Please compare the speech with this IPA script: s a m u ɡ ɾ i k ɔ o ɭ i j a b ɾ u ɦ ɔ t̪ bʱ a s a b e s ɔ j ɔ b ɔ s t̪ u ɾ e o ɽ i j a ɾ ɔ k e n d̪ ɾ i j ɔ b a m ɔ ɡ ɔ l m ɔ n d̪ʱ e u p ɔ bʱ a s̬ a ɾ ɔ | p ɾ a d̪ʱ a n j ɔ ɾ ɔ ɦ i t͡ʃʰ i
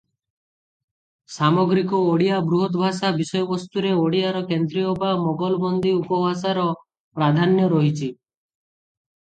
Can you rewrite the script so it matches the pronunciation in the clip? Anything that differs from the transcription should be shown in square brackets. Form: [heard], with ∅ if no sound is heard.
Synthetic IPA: s a m [ɔ] ɡ ɾ i k ɔ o [ɽ] i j a b ɾ u ɦ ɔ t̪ bʱ a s a b [i] s ɔ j ɔ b ɔ s t̪ u ɾ e o ɽ i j a ɾ ɔ k e n d̪ ɾ i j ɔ b a m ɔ ɡ ɔ l [b] ɔ n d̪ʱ [i] u p ɔ bʱ a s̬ a ɾ ɔ | p ɾ a d̪ʱ a n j ɔ ɾ ɔ ɦ i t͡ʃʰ i